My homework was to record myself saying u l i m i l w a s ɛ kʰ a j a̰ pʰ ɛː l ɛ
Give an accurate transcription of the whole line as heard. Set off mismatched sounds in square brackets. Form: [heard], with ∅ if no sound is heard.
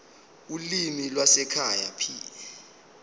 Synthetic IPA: u l i m i l w a s ɛ kʰ a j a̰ pʰ [iː] l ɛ